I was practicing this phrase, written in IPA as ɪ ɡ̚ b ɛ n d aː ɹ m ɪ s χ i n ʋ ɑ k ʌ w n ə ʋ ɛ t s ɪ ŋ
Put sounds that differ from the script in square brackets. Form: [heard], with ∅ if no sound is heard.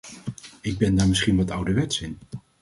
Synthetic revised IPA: ɪ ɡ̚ b ɛ n d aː ɹ m ɪ s χ i n ʋ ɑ [t] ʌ w [d] ə ʋ ɛ t s ɪ [n]